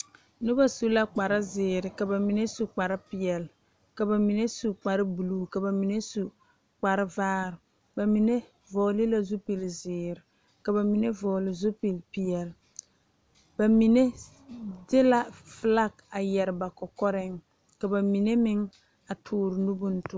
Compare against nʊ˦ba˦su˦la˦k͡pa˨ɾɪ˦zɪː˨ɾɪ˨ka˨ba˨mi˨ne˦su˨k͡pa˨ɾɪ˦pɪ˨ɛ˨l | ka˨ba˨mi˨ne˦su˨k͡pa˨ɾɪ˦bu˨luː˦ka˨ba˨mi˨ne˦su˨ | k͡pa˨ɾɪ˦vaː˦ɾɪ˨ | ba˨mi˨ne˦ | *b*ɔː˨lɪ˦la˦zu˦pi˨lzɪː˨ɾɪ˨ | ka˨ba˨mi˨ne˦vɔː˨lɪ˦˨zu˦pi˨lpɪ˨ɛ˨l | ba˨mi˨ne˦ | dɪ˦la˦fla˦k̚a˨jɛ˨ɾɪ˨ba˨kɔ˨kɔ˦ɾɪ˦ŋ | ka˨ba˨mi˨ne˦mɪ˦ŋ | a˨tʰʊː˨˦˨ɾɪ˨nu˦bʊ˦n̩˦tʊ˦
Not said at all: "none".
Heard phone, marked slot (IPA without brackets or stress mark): v